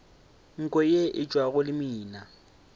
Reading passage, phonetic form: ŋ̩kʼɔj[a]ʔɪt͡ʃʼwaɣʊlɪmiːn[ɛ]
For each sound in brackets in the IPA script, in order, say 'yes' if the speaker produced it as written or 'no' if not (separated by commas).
no, no